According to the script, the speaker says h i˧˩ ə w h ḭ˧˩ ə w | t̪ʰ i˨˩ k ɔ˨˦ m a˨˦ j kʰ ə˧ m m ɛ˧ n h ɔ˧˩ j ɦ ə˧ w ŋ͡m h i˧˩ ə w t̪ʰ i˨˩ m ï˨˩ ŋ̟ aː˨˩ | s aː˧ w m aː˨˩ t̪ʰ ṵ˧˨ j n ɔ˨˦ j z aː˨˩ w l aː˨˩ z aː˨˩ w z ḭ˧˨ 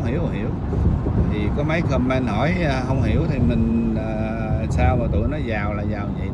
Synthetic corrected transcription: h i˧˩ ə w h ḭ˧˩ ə w | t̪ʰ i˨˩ k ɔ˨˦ m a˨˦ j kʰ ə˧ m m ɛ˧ n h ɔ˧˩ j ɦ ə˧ w ŋ͡m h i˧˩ ə w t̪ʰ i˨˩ m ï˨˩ ŋ̟ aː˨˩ | s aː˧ w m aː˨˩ t̪ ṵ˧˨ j n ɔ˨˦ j z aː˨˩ w l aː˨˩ z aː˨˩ w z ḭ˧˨

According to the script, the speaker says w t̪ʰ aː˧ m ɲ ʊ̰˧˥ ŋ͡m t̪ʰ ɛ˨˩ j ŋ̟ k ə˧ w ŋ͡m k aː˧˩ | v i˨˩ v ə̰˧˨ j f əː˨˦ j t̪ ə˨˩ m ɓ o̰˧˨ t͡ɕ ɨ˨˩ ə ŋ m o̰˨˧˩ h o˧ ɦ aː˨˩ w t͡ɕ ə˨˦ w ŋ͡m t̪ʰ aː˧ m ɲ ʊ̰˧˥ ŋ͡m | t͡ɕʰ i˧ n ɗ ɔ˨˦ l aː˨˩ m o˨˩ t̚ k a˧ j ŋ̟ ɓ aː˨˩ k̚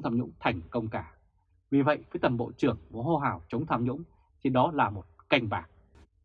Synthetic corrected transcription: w t̪ʰ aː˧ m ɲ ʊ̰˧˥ ŋ͡m t̪ʰ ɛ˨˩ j ŋ̟ k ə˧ w ŋ͡m k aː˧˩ | v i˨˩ v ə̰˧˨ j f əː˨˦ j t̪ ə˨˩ m ɓ o̰˧˨ t͡ɕ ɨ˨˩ ə ŋ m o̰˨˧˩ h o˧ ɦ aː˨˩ w t͡ɕ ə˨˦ w ŋ͡m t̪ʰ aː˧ m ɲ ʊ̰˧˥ ŋ͡m | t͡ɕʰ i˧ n ɗ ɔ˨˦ l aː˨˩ m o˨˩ t̚ k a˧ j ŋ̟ ɓ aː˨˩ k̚

